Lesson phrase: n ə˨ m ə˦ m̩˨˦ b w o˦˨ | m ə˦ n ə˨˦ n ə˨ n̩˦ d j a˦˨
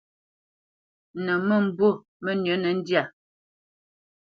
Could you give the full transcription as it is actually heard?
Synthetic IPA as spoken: n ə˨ m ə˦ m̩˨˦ b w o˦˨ | m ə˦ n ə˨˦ n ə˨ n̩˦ d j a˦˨